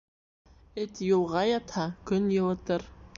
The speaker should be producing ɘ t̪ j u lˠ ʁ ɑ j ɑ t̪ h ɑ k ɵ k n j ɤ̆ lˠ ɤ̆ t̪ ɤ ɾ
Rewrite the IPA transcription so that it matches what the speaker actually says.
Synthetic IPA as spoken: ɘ t̪ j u lˠ ʁ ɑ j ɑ t̪ h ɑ k ɵ n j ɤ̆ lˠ ɤ̆ t̪ ɤ ɾ